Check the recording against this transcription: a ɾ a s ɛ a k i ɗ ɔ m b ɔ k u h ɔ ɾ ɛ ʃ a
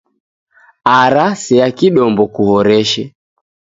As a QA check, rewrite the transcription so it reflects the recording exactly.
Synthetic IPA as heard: a ɾ a s ɛ a k i ɗ ɔ m b ɔ k u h ɔ ɾ ɛ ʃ ɛ